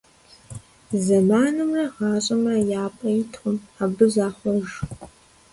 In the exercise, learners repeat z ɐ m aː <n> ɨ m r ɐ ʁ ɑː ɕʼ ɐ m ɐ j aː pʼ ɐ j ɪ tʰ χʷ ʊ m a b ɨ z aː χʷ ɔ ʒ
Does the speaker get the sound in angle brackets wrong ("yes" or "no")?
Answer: no